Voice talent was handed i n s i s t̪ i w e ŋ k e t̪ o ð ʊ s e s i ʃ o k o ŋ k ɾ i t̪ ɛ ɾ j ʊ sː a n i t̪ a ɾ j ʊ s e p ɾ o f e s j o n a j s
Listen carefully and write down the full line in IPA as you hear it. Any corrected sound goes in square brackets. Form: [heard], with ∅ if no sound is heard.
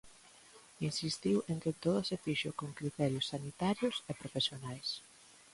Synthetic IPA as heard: i n s i s t̪ i w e ŋ k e t̪ o ð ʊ s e [f] i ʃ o k o ŋ k ɾ i t̪ ɛ ɾ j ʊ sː a n i t̪ a ɾ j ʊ s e p ɾ o f e s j o n a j s